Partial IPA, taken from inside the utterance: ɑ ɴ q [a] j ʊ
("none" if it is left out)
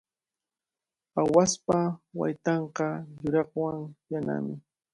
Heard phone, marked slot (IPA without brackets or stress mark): ɑ